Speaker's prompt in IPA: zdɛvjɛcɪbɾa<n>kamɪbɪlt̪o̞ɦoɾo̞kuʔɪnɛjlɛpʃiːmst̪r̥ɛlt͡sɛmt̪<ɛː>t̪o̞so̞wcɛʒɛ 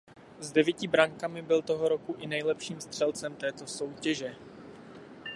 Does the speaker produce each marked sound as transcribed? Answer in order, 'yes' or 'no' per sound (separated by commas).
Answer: no, yes